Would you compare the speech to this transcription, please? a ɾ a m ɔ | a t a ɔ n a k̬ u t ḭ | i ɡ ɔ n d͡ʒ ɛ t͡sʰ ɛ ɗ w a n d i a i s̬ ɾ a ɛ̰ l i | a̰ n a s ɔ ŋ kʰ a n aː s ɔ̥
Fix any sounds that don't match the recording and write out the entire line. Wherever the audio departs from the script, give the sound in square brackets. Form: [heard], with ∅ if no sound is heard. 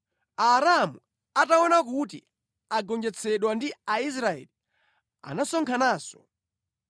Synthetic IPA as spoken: a ɾ a m [u] | a t a ɔ n a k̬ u t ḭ | [a] ɡ ɔ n d͡ʒ ɛ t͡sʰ ɛ ɗ w a n d i a i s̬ ɾ a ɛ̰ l i | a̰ n a s ɔ ŋ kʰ a n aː s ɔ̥

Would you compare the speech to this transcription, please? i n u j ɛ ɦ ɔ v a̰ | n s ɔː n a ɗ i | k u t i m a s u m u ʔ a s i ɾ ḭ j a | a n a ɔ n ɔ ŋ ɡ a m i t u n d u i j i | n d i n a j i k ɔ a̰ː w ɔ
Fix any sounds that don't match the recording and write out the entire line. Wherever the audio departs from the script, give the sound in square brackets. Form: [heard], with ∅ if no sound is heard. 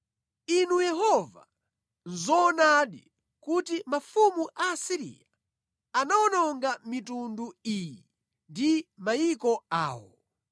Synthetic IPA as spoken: i n u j ɛ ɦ ɔ v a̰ | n [z] ɔː n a ɗ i | k u t i m a [f] u m u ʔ a s i ɾ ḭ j a | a n a ɔ n ɔ ŋ ɡ a m i t u n d u i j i | n d i [m] a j i k ɔ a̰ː w ɔ

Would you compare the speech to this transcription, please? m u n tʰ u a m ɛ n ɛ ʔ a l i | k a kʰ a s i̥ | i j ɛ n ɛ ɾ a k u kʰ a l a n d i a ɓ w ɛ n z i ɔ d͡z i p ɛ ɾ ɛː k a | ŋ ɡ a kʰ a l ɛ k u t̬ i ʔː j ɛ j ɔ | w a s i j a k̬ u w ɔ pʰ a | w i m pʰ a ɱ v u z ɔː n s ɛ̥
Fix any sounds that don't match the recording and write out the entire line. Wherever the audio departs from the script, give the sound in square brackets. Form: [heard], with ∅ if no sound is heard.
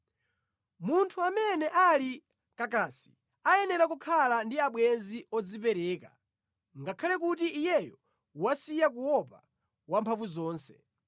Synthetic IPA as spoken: m u n tʰ u a m ɛ n ɛ ʔ a l i | k a [k] a s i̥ | [a] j ɛ n ɛ ɾ a k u kʰ a l a n d i a ɓ w ɛ n z i ɔ d͡z i p ɛ ɾ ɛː k a | ŋ ɡ a kʰ a l ɛ k u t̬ i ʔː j ɛ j ɔ | w a s i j a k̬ u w ɔ [p] a | w [a] m pʰ a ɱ v u z ɔː n s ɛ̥

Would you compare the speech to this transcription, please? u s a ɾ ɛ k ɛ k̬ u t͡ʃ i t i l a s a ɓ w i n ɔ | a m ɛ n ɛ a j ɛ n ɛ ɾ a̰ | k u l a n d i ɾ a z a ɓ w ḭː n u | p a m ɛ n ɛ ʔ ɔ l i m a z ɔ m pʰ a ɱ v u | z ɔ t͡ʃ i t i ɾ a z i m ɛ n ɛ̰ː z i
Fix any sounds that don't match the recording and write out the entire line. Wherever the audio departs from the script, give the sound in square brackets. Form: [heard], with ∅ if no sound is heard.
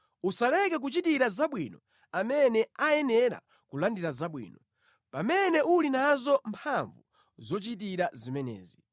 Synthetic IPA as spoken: u s a [l] ɛ k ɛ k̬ u t͡ʃ i t i [ɾ] a [z] a ɓ w i n ɔ | a m ɛ n ɛ a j ɛ n ɛ ɾ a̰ | k u l a n d i ɾ a z a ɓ w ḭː n [ɔ] | p a m ɛ n ɛ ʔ [u] l i [n] a z ɔ m pʰ a ɱ v u | z ɔ t͡ʃ i t i ɾ a z i m ɛ n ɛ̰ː z i

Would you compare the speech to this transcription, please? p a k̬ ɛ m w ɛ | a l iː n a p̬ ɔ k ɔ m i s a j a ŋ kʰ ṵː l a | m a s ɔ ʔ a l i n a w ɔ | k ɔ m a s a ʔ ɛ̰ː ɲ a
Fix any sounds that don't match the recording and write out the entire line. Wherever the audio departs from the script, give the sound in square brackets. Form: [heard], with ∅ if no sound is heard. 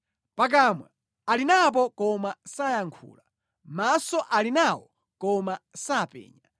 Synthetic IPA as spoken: p a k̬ [a] m w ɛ | a l [i] n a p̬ ɔ k ɔ m [a] s a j a ŋ kʰ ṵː l a | m a s ɔ ʔ a l i n a w ɔ | k ɔ m a s a [p] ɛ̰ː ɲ a

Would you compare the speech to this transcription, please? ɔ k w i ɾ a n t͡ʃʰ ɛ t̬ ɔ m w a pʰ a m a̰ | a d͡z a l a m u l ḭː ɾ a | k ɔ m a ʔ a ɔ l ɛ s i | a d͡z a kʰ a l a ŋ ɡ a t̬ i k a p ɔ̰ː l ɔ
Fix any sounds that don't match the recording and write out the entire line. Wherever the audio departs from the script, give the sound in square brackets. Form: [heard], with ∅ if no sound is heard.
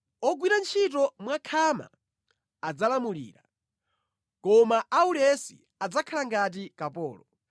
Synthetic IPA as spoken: ɔ [ɡ] w i ɾ a n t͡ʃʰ [i] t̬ ɔ m w a [kʰ] a m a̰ | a d͡z a l a m u l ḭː ɾ a | k ɔ m a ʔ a [u] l ɛ s i | a d͡z a kʰ a l a ŋ ɡ a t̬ i k a p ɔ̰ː l ɔ

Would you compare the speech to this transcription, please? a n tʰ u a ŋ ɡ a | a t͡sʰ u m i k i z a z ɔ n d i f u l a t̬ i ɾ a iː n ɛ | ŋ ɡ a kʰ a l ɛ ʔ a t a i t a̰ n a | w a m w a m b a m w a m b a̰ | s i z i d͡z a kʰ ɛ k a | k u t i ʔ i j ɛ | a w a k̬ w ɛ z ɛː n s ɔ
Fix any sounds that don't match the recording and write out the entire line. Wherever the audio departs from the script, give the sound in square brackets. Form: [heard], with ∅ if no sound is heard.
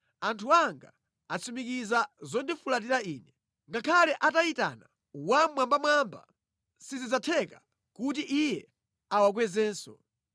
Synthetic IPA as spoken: a n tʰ u a ŋ ɡ a | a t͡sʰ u m i k i z a z ɔ n d i f u l a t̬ i ɾ a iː n ɛ | ŋ ɡ a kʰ a l ɛ ʔ a t a i t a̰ n a | w a m w a m b a m w a m b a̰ | s i z i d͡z a [tʰ] ɛ k a | k u t i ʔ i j ɛ | a w a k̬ w ɛ z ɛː n s ɔ

